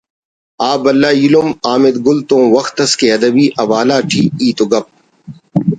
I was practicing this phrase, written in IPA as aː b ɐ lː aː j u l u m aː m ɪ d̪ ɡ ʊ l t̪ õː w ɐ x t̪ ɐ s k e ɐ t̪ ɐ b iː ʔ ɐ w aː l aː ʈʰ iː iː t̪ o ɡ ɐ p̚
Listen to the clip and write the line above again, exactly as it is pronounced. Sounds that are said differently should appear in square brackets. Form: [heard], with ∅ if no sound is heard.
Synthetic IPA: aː b ɐ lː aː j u l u m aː m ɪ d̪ ɡ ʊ l t̪ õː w ɐ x t̪ ɐ s k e ɐ [d̪] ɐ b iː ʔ ɐ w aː l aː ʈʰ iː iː t̪ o ɡ ɐ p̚